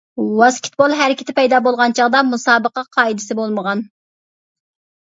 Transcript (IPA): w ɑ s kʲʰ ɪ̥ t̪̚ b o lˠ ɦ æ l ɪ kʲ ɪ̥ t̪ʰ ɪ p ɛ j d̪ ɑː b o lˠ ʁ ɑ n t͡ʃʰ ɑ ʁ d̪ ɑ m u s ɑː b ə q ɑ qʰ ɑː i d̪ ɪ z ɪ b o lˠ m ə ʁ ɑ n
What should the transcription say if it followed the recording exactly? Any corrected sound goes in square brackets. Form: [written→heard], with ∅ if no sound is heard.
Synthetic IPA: w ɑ s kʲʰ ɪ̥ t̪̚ b o lˠ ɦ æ [l→ɾ] ɪ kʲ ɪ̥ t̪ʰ ɪ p ɛ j d̪ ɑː b o lˠ ʁ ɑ n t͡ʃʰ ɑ ʁ d̪ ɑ m u s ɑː b ə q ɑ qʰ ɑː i d̪ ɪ [z→s] ɪ b o lˠ m ə ʁ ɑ n